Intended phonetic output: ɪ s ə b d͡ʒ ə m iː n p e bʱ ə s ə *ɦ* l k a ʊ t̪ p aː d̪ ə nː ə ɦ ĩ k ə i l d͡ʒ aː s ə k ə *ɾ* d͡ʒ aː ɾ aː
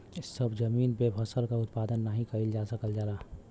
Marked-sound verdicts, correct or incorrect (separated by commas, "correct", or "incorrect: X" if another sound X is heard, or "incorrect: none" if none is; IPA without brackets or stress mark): incorrect: none, incorrect: l